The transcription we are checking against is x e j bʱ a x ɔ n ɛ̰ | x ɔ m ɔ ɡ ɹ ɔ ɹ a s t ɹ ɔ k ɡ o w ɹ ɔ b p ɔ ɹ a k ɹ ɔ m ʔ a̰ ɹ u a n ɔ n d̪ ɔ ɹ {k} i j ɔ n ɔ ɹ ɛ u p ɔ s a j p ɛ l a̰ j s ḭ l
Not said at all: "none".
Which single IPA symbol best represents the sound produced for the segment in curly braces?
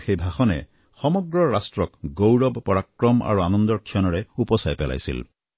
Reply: kʰ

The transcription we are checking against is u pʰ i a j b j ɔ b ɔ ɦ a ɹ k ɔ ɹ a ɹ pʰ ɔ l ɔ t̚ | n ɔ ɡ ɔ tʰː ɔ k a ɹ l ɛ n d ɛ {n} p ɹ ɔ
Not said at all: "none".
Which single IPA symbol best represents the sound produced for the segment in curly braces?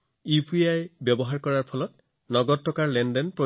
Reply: n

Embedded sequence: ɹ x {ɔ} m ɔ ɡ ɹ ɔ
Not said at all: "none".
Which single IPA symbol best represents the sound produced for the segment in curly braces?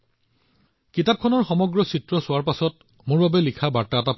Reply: ɔ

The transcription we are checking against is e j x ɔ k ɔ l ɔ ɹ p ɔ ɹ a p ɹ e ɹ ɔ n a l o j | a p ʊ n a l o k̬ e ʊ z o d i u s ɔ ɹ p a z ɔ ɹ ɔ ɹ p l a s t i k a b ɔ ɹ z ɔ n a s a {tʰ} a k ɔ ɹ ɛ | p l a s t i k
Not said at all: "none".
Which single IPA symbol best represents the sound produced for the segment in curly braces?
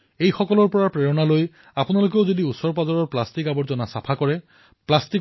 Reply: pʰ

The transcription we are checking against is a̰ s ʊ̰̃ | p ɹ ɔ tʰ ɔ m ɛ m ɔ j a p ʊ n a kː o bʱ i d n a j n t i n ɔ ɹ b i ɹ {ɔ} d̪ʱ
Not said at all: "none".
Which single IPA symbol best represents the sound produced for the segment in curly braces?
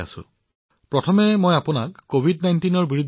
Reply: u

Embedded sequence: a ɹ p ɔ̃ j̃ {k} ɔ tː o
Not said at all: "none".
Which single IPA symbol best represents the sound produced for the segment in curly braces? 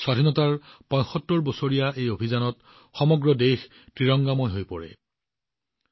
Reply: x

